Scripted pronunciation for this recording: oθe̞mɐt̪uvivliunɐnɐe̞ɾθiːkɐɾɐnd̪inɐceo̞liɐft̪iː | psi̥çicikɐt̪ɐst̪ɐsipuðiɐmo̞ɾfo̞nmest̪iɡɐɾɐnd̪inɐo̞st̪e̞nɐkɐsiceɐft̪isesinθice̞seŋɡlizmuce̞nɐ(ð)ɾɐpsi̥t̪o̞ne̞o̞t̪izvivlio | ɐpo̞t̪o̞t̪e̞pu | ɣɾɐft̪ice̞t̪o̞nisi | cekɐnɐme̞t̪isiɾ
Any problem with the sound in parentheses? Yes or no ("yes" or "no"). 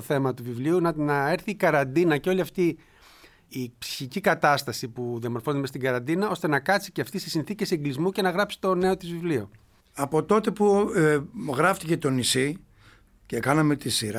yes